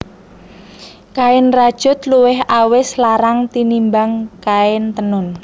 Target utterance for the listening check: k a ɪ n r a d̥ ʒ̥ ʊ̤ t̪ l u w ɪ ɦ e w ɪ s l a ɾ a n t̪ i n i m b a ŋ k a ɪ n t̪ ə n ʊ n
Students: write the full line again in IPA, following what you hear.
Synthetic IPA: k a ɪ n r a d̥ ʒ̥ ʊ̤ t̪ l u w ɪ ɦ a w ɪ s l a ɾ a ŋ t̪ i n i m b a ŋ k a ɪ n t̪ ə n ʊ n